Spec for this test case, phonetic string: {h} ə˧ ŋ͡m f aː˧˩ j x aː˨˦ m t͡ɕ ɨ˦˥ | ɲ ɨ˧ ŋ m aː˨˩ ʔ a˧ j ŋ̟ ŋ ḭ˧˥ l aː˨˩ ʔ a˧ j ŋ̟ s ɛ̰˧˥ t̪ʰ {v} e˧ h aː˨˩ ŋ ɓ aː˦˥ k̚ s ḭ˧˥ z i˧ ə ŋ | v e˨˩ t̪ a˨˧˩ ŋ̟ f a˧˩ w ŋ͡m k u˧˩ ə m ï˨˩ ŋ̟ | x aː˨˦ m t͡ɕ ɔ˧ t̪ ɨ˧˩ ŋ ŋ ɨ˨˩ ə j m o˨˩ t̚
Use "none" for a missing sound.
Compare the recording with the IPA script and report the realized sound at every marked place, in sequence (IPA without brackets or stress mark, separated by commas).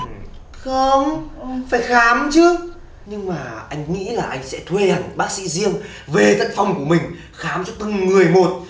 x, w